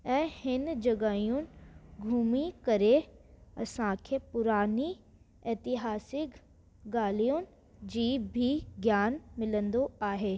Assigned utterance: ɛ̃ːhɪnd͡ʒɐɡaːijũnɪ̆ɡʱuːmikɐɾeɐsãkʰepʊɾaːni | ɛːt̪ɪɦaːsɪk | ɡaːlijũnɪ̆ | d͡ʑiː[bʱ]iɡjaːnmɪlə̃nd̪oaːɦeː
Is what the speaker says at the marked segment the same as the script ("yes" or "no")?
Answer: yes